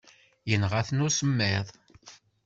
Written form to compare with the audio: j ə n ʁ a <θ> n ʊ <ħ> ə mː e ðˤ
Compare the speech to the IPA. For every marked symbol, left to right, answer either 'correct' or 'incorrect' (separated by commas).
correct, incorrect